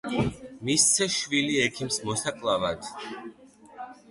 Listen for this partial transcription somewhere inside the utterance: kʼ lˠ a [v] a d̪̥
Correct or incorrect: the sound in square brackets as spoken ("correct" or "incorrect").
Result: correct